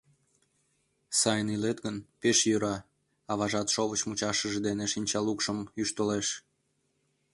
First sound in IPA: s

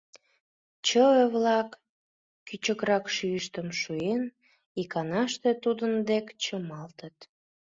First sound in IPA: t͡ɕ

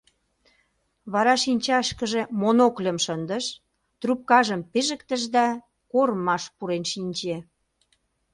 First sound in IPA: β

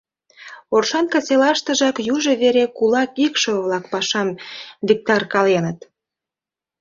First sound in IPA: o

